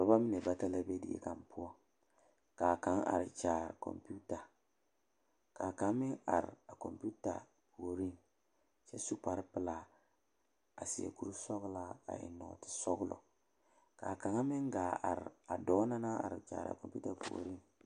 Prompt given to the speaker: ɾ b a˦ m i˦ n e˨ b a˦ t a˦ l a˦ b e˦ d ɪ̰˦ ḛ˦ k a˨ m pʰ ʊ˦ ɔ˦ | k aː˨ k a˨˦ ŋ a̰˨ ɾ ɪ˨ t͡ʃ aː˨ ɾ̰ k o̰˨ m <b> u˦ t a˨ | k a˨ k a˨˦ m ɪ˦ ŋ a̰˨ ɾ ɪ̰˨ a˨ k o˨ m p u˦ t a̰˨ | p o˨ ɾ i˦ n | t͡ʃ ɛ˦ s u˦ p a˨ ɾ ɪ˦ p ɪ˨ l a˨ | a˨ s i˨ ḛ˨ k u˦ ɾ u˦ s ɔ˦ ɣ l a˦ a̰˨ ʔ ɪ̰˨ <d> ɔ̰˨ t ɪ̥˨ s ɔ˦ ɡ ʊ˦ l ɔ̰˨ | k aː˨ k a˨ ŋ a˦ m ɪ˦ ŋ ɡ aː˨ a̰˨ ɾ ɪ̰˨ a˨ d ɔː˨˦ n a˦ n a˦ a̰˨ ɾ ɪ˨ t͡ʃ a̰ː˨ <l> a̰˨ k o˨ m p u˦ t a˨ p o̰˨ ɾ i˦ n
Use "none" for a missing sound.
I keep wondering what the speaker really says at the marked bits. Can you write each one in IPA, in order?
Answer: p, n, ɾ

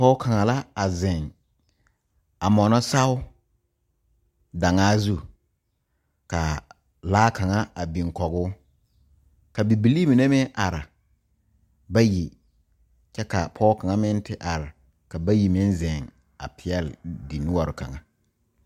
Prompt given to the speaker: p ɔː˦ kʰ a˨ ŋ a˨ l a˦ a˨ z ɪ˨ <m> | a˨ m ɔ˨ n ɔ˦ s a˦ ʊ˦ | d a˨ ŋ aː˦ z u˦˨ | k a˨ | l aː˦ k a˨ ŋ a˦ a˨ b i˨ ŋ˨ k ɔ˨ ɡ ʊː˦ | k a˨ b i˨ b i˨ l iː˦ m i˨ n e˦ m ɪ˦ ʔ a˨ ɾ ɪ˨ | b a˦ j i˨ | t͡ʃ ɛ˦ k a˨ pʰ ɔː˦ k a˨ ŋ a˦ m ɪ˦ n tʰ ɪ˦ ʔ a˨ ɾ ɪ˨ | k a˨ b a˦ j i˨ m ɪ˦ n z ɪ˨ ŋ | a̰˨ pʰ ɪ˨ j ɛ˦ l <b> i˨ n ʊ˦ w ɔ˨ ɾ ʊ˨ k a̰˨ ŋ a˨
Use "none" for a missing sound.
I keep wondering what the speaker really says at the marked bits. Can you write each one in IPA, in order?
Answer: ŋ, d

